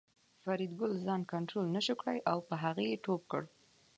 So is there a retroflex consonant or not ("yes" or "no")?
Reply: yes